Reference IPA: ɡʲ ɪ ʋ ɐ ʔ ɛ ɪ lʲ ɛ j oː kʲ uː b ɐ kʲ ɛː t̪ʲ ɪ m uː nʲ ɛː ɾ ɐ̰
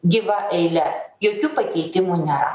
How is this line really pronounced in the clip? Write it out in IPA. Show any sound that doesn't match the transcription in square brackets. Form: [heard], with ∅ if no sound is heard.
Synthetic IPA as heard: ɡʲ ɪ ʋ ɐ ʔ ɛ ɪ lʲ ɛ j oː kʲ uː [p] ɐ kʲ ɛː t̪ʲ ɪ m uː nʲ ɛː ɾ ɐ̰